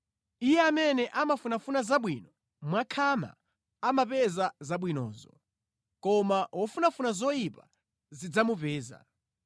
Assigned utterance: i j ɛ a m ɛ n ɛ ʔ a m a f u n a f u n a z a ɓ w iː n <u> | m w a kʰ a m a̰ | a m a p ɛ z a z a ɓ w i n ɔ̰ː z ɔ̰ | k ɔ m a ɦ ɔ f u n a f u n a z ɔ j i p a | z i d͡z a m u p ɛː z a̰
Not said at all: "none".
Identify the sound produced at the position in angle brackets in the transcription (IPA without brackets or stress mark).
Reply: ɔ